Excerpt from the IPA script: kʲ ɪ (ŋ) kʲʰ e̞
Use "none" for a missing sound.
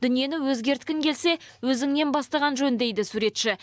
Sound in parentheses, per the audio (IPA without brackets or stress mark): ŋ